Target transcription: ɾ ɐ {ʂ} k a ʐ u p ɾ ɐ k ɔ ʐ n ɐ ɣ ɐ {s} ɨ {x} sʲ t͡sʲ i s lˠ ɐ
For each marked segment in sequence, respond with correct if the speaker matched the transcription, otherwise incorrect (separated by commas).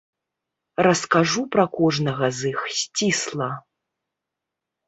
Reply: incorrect, incorrect, correct